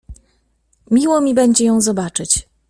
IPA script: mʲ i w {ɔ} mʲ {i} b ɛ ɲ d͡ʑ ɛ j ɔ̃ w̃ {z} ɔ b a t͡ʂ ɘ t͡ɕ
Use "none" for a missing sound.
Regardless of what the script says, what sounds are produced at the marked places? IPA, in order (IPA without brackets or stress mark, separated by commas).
ɔ, i, z